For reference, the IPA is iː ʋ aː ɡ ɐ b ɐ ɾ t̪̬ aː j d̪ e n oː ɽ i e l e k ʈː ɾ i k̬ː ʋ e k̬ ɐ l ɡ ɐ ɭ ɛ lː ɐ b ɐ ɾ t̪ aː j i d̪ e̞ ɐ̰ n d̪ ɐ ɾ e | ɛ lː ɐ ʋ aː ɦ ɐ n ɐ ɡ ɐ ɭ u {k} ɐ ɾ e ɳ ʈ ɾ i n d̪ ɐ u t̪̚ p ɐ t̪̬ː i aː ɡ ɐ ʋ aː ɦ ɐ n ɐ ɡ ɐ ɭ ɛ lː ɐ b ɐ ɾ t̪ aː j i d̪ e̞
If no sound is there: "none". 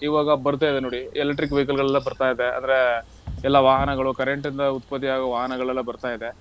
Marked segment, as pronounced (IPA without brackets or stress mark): k